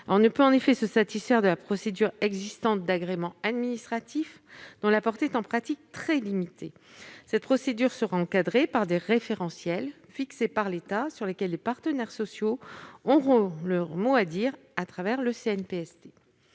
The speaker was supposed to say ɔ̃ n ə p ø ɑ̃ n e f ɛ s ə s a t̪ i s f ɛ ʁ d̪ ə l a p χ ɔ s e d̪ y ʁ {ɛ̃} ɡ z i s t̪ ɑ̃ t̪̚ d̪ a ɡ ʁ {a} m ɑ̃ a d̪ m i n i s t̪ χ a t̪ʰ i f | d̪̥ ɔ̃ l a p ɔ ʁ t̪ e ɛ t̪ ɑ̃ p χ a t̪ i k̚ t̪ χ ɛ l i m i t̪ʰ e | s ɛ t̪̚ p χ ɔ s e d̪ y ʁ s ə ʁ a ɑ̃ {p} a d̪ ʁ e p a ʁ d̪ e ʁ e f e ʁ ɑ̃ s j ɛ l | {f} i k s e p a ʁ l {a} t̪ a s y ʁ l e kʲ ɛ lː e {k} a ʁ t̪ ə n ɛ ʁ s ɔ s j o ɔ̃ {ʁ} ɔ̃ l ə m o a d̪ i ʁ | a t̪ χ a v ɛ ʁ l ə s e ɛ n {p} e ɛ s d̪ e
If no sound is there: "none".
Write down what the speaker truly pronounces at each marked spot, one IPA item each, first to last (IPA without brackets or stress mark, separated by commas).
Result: ɛ, e, k, f, e, p, ʁ, p